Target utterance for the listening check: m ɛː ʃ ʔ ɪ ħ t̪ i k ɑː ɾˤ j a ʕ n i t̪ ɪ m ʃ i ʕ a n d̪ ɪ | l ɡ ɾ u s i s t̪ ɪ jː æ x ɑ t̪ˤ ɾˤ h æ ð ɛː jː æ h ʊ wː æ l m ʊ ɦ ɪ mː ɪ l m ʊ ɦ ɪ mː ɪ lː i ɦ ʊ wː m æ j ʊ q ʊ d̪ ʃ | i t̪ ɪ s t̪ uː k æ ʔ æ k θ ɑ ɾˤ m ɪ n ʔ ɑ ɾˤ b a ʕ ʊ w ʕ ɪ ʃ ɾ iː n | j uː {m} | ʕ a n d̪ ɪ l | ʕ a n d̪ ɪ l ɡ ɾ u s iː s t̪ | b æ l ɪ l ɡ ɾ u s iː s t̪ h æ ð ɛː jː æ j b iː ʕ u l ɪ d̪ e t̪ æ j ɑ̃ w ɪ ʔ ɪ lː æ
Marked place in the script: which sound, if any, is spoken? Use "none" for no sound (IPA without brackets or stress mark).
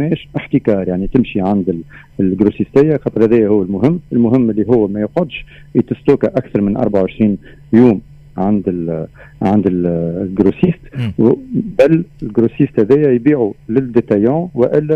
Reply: m